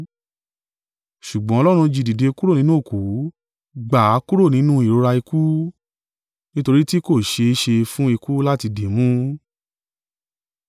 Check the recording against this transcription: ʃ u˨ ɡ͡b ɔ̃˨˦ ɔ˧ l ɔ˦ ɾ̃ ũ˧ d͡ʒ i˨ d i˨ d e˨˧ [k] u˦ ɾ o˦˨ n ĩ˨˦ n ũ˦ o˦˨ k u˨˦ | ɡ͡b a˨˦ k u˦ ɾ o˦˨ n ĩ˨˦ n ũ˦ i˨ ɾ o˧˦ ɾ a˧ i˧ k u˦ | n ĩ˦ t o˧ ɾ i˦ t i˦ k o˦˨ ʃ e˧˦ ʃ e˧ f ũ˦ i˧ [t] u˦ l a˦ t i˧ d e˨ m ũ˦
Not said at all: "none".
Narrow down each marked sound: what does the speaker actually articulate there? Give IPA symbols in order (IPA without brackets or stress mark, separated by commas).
k, k